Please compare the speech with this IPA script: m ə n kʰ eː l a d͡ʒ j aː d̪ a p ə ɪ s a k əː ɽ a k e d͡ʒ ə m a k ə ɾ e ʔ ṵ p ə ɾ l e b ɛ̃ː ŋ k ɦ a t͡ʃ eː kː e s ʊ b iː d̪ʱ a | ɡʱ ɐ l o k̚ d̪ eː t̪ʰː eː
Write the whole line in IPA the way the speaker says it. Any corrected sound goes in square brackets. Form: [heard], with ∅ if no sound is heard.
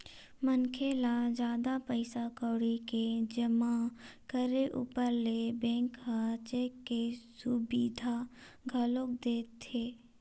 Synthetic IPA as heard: m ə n kʰ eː l a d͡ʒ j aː d̪ a p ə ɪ s a k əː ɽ [i] k e d͡ʒ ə m a k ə ɾ e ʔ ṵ p ə ɾ l e b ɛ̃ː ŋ k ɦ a t͡ʃ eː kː e s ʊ b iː d̪ʱ a | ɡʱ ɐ l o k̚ d̪ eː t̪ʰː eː